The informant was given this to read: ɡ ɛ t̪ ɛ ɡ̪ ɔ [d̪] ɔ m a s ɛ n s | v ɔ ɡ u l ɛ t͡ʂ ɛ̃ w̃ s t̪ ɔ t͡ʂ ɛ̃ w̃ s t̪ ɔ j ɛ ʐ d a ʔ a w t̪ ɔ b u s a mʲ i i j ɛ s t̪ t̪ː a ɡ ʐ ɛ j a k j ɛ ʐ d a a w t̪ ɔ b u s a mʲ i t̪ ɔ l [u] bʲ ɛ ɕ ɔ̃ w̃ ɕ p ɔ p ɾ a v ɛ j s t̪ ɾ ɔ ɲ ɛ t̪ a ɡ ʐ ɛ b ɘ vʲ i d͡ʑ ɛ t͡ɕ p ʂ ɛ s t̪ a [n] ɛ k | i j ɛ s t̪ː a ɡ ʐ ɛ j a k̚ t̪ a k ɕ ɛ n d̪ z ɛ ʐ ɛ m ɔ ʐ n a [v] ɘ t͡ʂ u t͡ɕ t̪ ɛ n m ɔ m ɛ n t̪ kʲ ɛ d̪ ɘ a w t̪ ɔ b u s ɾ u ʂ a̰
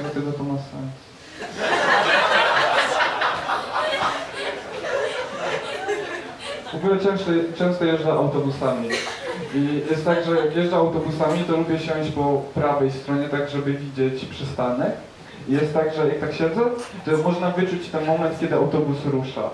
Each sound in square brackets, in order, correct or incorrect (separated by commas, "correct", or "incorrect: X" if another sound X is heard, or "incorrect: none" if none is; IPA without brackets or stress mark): incorrect: t̪, correct, correct, correct